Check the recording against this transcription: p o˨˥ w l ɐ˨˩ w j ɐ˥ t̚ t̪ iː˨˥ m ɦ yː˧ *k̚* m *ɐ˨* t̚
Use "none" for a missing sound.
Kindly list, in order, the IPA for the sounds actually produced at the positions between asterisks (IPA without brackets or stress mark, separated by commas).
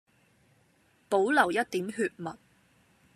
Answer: t̚, ɐ˨